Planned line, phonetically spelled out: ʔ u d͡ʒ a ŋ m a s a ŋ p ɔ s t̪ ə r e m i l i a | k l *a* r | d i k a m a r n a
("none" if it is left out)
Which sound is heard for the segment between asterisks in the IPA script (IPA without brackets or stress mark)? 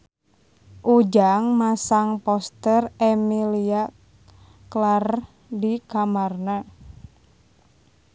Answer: a